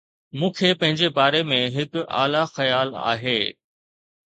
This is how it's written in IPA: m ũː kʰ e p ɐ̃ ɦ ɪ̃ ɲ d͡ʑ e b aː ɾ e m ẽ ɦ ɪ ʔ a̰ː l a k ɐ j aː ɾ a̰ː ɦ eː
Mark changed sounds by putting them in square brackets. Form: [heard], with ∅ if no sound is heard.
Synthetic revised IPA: m ũː kʰ e p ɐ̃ ɦ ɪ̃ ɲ d͡ʑ e b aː ɾ e m ẽ ɦ ɪ [k] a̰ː l a [x] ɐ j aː [l] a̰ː ɦ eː